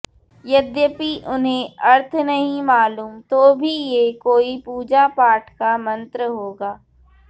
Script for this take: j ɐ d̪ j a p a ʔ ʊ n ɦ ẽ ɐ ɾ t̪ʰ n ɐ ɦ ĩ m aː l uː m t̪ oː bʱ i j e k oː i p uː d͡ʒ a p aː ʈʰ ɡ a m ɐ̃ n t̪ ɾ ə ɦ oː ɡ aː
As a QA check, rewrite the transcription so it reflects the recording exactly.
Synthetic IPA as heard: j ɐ d̪ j ə p i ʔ ʊ n ɦ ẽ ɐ ɾ t̪ʰ n ɐ ɦ ĩ m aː l uː m t̪ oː bʱ i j e k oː i p uː d͡ʒ a p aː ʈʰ k a m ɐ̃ n t̪ ɾ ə ɦ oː ɡ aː